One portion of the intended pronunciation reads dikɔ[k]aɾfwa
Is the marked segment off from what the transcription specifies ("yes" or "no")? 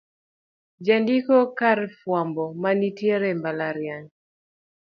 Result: no